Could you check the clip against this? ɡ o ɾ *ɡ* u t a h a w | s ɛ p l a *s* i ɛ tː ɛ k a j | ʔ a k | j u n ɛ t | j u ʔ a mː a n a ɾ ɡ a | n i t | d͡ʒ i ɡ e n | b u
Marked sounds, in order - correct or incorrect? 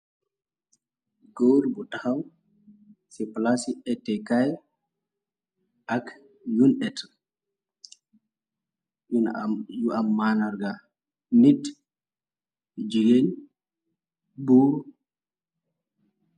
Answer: incorrect, correct

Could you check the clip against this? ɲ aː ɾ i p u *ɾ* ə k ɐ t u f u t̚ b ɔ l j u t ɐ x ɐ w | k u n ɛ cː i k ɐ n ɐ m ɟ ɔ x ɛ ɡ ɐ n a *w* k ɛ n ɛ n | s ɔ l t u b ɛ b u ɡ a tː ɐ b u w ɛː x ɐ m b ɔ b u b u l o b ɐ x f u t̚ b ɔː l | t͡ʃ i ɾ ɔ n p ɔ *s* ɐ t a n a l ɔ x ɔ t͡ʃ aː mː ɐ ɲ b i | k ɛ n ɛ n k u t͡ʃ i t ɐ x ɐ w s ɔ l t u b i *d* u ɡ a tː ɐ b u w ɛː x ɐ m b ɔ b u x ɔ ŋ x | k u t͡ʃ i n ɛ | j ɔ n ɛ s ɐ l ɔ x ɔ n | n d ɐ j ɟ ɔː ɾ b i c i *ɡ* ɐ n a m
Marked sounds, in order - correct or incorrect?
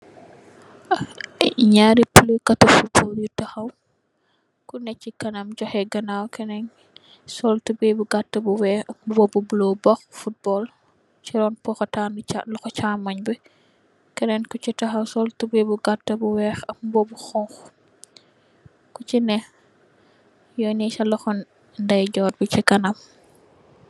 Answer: incorrect, correct, incorrect, incorrect, incorrect

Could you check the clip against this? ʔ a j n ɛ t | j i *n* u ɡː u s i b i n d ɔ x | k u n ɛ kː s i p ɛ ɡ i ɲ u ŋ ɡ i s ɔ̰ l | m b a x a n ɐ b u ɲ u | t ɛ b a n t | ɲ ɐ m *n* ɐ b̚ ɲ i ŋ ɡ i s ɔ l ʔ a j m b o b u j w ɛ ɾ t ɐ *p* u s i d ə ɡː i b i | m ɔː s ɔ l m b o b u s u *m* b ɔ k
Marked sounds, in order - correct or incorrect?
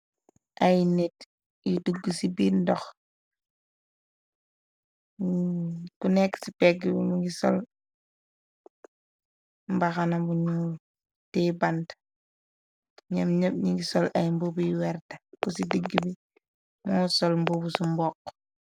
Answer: incorrect, incorrect, incorrect, correct

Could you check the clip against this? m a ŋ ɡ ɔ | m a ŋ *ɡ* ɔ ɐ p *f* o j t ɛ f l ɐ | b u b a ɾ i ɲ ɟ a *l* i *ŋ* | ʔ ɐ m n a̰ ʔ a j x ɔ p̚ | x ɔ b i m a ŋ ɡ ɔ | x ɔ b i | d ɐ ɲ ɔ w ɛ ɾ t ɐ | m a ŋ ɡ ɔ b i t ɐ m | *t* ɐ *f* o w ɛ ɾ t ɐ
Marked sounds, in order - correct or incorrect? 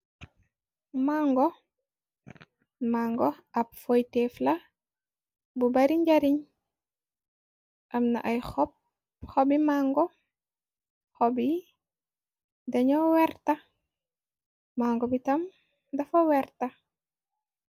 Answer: correct, correct, incorrect, incorrect, incorrect, correct

